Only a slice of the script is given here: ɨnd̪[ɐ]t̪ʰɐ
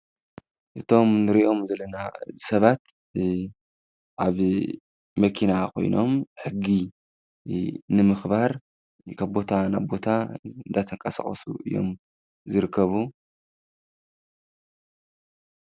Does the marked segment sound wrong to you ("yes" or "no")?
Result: yes